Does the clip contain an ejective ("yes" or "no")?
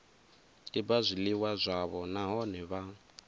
no